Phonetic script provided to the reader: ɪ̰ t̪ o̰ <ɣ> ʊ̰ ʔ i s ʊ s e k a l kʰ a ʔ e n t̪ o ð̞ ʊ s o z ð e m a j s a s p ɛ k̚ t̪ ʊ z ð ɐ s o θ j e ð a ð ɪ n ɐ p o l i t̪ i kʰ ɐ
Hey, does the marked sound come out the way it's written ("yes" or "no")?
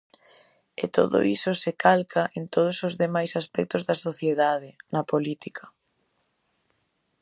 no